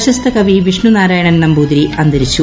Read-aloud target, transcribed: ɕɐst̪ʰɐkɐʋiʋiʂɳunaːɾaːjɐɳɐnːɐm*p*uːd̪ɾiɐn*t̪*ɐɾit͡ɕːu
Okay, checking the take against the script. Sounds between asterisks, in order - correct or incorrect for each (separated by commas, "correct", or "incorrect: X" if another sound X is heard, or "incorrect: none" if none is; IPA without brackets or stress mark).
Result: incorrect: b, incorrect: d̪